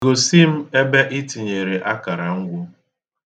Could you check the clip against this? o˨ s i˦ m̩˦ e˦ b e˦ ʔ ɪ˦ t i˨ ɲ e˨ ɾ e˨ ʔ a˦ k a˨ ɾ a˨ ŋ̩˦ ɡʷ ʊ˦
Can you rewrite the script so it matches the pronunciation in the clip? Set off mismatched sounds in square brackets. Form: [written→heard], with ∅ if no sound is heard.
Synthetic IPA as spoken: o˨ s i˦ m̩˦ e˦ b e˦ ʔ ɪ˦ t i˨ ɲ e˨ ɾ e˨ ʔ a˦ k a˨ ɾ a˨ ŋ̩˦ ɡʷ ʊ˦

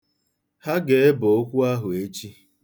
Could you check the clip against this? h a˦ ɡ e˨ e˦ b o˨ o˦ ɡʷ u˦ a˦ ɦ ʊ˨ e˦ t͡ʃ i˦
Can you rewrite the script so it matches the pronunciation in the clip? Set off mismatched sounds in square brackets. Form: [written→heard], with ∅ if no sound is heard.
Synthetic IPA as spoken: h a˦ ɡ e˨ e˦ b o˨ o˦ [ɡʷ→kʷ] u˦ a˦ ɦ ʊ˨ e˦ t͡ʃ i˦

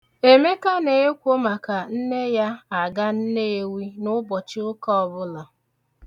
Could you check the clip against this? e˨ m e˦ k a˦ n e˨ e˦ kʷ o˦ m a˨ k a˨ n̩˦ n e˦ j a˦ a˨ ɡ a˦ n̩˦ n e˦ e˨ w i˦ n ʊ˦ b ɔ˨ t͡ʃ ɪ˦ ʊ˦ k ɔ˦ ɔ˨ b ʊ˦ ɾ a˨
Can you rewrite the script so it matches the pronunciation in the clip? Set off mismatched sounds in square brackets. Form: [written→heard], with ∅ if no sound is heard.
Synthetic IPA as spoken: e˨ m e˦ k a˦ n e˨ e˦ kʷ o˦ m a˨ k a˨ n̩˦ n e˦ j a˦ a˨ ɡ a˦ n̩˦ n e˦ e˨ w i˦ n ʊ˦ b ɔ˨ t͡ʃ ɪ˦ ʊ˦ k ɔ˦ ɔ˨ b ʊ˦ [ɾ→l] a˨

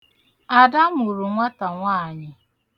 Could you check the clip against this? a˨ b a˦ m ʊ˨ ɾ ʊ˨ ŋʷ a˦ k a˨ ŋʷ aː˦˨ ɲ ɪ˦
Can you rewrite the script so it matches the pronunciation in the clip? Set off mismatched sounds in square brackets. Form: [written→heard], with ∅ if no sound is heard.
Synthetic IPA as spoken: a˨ [b→d] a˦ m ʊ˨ ɾ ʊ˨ ŋʷ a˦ [k→t] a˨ ŋʷ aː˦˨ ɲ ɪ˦

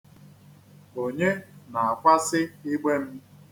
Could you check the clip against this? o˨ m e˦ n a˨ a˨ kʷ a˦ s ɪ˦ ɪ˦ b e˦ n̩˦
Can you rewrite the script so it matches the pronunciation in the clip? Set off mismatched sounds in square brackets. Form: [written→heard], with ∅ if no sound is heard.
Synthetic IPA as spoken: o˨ [m→ɲ] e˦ n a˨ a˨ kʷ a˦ s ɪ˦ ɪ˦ [b→ɡ͡b] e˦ [n̩˦→m̩˦]

